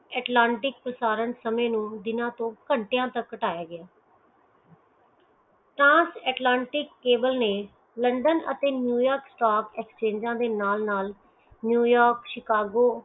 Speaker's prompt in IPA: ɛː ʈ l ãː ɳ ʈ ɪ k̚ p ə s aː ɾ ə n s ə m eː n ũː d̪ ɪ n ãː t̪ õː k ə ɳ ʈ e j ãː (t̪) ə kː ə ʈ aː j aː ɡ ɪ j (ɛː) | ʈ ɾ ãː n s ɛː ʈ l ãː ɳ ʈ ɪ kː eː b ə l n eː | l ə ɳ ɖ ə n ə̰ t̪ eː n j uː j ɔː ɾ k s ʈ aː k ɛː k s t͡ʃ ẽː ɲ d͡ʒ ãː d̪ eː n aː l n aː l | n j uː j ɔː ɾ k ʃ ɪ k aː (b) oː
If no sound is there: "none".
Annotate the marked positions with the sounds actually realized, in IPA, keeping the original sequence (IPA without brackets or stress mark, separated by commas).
t̪, aː, ɡ